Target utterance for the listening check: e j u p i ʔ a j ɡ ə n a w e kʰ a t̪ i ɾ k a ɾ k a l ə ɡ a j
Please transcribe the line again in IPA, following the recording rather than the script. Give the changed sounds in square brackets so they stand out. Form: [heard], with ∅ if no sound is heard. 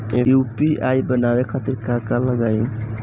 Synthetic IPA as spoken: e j u p i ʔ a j [b] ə n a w e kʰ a t̪ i ɾ k a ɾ k a l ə ɡ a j

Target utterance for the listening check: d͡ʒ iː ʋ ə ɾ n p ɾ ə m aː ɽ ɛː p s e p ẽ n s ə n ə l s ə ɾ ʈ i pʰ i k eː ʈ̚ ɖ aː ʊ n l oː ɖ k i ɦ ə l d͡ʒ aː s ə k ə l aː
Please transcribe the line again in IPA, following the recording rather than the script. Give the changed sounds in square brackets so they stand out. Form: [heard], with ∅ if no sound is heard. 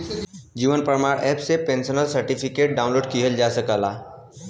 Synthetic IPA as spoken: d͡ʒ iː ʋ ə [∅] n p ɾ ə m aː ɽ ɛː p s e p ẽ n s ə n ə l s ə ɾ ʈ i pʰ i k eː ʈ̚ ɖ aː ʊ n l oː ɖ k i ɦ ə l d͡ʒ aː s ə k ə l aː

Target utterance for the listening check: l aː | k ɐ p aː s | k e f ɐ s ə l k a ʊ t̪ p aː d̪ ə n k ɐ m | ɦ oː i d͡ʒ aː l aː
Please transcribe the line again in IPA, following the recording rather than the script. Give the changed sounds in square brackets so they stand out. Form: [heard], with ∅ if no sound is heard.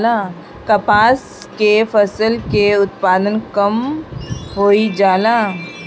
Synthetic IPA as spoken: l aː | k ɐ p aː s | k e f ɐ s ə l k [e] ʊ t̪ p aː d̪ ə n k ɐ m | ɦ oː i d͡ʒ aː l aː

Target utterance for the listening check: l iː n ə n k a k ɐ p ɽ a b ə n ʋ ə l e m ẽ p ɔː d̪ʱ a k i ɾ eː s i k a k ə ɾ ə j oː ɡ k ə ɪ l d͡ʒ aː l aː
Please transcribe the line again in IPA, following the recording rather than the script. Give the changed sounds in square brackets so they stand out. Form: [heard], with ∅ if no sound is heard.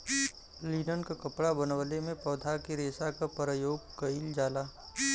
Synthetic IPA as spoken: l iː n ə n k a k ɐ p ɽ a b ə n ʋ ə l e m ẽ p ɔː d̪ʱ a k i ɾ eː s [a] k a [p] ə ɾ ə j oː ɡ k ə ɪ l d͡ʒ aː l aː

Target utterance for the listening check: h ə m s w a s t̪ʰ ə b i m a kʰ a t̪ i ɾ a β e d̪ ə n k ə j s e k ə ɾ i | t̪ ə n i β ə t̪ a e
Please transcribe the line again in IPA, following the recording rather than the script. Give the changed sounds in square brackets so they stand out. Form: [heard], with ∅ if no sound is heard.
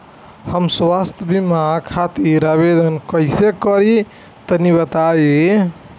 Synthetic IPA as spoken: h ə m s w a s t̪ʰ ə b i m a kʰ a t̪ i ɾ a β e d̪ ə n k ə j s e k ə ɾ i | t̪ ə n i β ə t̪ a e

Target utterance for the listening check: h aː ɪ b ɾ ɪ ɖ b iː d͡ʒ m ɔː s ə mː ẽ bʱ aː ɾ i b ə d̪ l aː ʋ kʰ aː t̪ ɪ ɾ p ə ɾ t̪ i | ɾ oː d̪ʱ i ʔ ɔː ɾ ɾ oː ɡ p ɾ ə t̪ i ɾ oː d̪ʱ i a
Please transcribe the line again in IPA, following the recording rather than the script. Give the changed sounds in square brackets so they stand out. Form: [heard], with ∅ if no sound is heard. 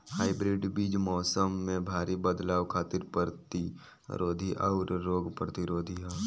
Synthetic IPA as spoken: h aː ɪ b ɾ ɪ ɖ b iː d͡ʒ m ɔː s ə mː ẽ bʱ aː ɾ i b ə d̪ l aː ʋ kʰ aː t̪ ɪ ɾ p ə ɾ t̪ i | ɾ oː d̪ʱ i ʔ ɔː ɾ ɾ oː ɡ p ɾ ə t̪ i ɾ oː d̪ʱ i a

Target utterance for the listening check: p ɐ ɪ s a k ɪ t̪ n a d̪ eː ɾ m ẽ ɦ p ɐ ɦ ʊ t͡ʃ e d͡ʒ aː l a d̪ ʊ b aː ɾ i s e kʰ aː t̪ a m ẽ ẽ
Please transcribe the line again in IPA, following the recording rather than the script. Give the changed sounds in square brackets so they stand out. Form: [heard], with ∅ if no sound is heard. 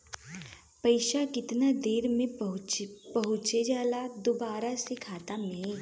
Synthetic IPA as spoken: p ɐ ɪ [ʃ] a k ɪ t̪ n a d̪ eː ɾ m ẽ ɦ p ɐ ɦ ʊ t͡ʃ e d͡ʒ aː l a d̪ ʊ b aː ɾ [a] s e kʰ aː t̪ a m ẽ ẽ

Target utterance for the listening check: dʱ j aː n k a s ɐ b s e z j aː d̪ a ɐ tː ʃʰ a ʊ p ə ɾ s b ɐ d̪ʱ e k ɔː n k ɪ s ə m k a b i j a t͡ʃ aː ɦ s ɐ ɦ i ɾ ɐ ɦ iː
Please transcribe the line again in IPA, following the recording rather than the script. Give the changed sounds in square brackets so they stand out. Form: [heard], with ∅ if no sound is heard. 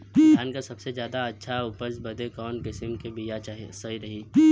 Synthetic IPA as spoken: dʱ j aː n k a s ɐ b s e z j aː d̪ a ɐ tː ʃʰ a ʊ p ə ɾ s b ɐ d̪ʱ e k ɔː n k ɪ s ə m k [e] b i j a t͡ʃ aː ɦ s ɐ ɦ i ɾ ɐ ɦ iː

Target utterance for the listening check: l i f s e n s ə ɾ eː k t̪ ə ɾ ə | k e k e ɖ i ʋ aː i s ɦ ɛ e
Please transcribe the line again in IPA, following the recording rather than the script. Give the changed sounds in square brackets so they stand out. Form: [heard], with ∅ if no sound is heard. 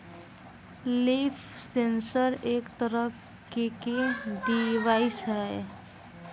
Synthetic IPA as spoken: l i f s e n s ə ɾ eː k t̪ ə ɾ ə | k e k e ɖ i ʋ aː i s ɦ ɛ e

